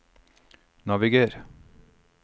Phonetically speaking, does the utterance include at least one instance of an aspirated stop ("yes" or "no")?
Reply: no